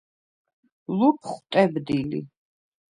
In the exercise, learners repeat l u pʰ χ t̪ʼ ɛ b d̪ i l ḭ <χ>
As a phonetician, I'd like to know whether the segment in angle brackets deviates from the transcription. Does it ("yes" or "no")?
yes